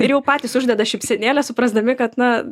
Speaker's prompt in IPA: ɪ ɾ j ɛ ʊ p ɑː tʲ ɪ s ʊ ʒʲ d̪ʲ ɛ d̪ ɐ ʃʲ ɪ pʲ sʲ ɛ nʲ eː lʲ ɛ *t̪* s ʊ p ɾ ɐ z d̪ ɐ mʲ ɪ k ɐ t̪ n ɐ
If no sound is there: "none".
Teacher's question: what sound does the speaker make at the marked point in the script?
none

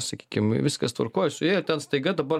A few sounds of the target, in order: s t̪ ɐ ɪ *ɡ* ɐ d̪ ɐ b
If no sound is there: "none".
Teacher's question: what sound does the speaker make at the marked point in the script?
ɡ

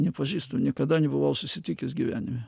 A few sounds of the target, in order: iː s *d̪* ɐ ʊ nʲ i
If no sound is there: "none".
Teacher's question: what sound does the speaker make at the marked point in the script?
t̪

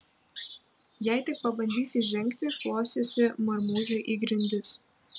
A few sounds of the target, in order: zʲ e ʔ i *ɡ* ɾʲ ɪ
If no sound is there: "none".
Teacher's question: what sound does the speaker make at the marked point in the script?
ɡ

